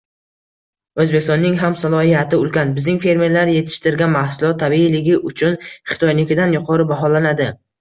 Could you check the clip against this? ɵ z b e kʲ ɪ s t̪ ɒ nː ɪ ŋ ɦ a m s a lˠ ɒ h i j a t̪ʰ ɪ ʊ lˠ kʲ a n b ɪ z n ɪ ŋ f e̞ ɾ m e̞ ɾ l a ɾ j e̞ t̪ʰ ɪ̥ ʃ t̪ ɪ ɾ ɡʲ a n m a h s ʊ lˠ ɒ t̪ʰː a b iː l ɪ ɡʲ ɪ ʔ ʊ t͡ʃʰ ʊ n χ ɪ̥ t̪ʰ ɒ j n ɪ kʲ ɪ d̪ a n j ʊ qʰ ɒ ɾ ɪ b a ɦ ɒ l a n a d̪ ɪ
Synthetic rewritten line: ɵ z b e kʲ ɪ s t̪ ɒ nː ɪ ŋ ɦ a m s a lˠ ɒ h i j a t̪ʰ ɪ ʊ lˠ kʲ a n b ɪ z n ɪ ŋ f e̞ ɾ m e̞ ɾ l a ɾ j e̞ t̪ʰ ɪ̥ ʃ t̪ ɪ ɾ ɡʲ a n m a h s ʊ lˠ ɒ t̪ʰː a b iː l ɪ ɡʲ ɪ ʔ ʊ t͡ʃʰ ʊ n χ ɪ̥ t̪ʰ ɒ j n ɪ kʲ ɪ d̪ a n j ʊ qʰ ɒ ɾ ɪ b a ɦ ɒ l a n a d̪ ɪ